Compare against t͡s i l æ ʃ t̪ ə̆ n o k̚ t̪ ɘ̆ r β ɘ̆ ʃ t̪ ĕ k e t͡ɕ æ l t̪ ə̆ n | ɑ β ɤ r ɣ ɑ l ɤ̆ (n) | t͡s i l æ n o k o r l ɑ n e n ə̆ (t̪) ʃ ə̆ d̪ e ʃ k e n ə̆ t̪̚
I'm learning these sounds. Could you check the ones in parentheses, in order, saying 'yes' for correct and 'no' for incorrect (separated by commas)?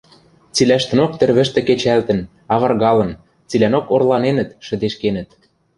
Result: yes, yes